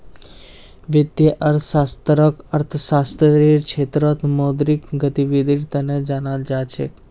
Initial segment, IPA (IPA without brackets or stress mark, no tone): ʋ